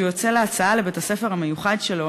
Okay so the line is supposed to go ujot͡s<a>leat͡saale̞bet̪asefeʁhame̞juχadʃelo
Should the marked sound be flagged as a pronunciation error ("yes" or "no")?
yes